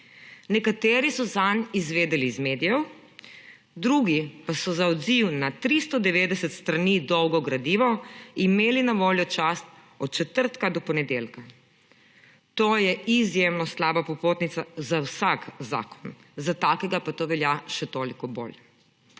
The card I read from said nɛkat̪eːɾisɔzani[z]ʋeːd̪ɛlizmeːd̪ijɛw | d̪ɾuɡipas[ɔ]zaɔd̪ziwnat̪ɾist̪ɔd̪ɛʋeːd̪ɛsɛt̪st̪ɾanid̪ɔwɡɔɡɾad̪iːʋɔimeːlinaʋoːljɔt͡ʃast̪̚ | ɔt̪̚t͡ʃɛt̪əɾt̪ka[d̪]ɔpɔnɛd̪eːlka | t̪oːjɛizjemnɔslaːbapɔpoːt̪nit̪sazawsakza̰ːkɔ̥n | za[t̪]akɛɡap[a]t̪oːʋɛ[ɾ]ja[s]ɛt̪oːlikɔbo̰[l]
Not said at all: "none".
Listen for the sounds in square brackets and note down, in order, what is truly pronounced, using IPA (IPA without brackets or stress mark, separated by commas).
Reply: z, ɔ, d̪, t̪, a, l, ʃ, l